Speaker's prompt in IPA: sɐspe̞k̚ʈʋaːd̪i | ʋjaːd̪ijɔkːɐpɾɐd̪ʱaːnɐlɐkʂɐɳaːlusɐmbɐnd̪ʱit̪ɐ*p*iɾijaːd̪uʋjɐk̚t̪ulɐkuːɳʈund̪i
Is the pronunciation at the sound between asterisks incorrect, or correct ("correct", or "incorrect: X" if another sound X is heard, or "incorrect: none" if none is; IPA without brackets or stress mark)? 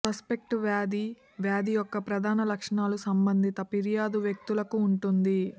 correct